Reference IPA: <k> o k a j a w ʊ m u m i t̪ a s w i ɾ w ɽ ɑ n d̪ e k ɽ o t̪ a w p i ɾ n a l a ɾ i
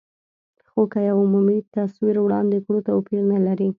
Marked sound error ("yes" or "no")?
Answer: yes